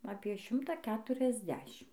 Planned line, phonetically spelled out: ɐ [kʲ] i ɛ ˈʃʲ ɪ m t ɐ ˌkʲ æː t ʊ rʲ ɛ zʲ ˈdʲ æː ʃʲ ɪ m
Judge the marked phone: incorrect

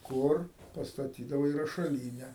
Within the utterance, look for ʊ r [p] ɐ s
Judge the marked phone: correct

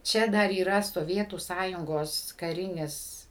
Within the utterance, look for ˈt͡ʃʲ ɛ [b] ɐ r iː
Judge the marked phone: incorrect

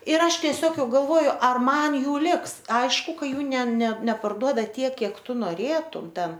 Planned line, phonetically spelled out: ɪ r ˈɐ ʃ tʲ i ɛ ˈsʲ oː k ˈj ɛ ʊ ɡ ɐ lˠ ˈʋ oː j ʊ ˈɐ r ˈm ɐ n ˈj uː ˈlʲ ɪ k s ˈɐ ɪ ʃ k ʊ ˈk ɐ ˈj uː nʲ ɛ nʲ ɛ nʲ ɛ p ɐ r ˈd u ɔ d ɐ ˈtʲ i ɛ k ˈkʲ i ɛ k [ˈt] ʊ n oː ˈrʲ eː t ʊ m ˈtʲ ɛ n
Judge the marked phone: correct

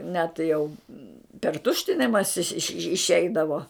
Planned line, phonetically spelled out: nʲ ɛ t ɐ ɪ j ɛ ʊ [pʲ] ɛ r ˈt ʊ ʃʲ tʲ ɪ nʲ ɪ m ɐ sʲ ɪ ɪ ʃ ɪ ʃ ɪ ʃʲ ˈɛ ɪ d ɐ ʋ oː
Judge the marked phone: correct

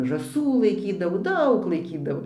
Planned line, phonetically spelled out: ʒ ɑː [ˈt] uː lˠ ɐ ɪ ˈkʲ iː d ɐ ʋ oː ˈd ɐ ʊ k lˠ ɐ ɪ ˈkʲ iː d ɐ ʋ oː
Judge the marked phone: incorrect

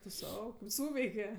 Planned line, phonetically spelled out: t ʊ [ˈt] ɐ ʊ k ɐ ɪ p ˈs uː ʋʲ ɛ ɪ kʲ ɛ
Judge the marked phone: incorrect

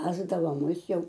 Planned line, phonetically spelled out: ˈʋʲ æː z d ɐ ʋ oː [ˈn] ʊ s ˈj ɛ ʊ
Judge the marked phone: incorrect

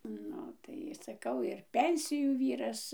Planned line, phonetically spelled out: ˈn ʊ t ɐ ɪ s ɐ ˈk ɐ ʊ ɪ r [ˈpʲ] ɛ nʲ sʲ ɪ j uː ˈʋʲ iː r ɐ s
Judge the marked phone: correct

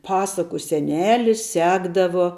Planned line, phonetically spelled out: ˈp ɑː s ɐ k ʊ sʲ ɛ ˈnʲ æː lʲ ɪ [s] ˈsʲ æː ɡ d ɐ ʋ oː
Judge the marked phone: correct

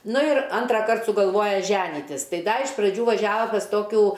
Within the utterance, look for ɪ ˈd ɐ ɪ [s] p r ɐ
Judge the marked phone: incorrect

